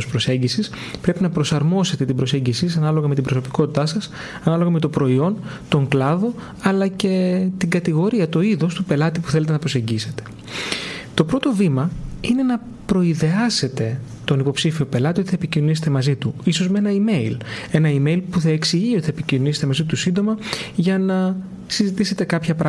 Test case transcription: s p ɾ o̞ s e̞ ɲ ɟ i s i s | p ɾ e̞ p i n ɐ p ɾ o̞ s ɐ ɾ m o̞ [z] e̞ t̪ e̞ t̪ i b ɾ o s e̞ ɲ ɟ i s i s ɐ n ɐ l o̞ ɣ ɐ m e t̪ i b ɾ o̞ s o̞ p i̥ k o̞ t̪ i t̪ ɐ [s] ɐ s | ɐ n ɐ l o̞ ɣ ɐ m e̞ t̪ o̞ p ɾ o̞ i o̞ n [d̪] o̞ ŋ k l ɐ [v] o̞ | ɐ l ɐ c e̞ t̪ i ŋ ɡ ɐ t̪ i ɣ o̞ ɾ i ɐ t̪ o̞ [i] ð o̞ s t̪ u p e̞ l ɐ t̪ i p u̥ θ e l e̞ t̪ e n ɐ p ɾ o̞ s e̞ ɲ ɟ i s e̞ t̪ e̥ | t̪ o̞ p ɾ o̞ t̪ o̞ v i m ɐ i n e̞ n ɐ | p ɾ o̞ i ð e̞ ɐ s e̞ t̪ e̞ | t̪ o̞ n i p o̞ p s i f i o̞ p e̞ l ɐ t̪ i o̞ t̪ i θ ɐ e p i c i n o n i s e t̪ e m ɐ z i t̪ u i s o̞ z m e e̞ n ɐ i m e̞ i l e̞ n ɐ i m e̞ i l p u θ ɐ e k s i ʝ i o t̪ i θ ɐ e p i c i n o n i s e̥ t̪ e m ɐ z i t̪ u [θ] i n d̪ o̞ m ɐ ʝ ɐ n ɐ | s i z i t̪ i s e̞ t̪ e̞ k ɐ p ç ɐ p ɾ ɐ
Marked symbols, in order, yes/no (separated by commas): no, yes, no, no, yes, no